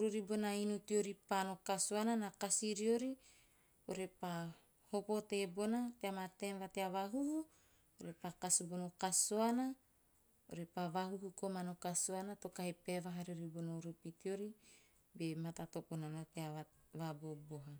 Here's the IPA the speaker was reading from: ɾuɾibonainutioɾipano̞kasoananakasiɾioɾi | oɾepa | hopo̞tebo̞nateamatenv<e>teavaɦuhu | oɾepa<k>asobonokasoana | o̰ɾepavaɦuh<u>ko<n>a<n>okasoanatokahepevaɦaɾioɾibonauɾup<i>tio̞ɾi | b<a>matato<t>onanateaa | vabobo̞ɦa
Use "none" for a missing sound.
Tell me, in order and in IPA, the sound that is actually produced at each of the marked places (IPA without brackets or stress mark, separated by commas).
a, k, u, m, n, i, e, p